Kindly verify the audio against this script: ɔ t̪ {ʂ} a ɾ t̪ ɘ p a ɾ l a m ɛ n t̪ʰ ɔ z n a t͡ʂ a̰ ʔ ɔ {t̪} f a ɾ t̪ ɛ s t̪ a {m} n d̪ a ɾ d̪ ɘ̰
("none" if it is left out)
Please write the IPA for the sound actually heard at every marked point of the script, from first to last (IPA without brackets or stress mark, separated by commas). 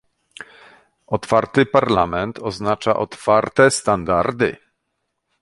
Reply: f, t̪, none